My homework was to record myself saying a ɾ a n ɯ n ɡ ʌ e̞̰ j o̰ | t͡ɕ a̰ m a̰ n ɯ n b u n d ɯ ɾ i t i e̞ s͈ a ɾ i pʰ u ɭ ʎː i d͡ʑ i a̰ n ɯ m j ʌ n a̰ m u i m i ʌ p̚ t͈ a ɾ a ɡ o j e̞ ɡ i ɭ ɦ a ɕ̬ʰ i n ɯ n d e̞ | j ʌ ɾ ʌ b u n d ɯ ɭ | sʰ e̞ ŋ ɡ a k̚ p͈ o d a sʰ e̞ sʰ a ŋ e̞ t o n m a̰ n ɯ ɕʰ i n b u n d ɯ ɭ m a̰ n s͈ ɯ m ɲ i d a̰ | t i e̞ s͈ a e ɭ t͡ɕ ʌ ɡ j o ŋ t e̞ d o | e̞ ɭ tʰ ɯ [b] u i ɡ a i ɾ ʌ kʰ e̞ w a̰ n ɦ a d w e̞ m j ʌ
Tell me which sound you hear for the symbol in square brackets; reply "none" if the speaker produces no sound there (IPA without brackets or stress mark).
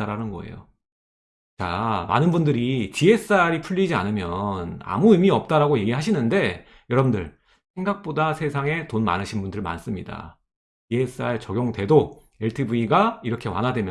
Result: b